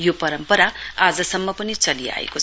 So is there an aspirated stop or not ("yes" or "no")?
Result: no